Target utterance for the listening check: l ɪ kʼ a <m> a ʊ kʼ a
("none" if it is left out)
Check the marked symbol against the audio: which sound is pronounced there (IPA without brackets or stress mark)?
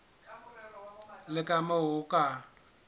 m